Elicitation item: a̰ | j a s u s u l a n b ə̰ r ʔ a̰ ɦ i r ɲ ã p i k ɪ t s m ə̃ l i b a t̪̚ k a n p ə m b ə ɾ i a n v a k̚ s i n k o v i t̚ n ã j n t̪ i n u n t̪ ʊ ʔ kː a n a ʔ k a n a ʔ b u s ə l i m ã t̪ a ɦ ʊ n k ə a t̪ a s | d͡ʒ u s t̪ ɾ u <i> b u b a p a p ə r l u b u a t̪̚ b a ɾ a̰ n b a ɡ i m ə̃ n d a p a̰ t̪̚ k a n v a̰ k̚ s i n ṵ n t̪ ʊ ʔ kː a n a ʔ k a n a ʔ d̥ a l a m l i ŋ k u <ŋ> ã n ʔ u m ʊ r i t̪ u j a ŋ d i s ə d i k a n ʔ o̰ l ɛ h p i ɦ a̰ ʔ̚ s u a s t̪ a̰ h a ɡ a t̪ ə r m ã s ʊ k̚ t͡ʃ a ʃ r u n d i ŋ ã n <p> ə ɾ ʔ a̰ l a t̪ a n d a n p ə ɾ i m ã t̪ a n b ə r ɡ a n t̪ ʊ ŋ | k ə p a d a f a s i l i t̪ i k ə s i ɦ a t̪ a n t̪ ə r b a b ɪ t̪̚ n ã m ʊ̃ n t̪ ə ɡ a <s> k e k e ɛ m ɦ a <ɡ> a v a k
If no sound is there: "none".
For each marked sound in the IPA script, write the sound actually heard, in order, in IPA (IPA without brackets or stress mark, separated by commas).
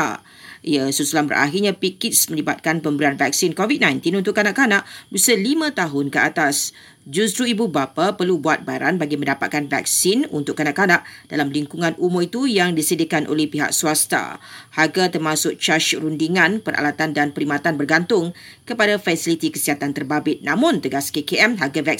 i, ŋ, p, s, ɡ